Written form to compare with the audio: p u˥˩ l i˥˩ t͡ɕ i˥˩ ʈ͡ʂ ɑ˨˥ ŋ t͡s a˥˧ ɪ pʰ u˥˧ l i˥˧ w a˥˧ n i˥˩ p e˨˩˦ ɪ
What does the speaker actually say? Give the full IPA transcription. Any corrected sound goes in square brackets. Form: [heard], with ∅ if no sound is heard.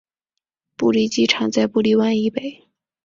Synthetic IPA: p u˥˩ l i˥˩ t͡ɕ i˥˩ [ʈ͡ʂʰ] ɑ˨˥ ŋ t͡s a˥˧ ɪ [p] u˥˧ l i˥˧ w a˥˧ n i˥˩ p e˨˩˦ ɪ